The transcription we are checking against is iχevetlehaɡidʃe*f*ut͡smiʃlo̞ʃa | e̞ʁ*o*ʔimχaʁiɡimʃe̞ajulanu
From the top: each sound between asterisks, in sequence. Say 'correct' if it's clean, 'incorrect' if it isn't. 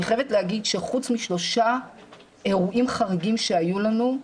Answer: incorrect: χ, incorrect: u

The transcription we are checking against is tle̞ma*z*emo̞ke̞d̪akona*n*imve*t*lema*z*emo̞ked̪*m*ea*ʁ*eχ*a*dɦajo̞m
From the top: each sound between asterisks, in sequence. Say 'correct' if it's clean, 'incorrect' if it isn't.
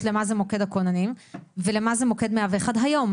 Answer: correct, correct, incorrect: none, correct, correct, incorrect: v, correct

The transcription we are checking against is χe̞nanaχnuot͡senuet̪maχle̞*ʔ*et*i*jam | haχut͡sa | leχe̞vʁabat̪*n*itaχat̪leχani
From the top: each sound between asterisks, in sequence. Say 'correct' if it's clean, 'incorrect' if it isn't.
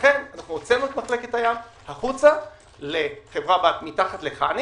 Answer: incorrect: k, incorrect: a, incorrect: m

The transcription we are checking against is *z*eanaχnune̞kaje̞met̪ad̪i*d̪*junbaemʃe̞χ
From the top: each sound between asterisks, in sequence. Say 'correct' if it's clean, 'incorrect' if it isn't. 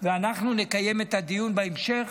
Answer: incorrect: v, incorrect: none

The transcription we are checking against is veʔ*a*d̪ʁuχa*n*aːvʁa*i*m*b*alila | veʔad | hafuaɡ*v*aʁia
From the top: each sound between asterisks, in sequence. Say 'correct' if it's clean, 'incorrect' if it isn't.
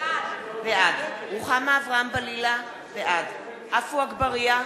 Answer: correct, incorrect: m, incorrect: a, correct, incorrect: b

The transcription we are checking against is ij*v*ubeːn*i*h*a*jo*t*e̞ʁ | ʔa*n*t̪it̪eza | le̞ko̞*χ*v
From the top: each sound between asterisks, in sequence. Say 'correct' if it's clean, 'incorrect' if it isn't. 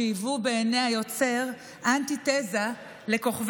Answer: correct, incorrect: e, correct, incorrect: t͡s, correct, correct

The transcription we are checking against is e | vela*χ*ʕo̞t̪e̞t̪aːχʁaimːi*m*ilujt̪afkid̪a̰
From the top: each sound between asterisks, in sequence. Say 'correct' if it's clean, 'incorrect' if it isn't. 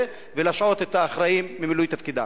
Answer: incorrect: ʃ, correct

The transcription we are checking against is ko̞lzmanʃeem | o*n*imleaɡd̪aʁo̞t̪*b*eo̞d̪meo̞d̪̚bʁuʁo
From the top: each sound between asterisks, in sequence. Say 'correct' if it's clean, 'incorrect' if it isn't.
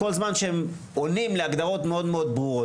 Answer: correct, incorrect: m

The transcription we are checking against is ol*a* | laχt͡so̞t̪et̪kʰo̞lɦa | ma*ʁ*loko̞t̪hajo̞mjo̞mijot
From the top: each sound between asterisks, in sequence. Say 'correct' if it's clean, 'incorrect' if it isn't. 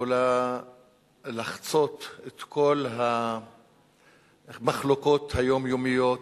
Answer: correct, incorrect: χ

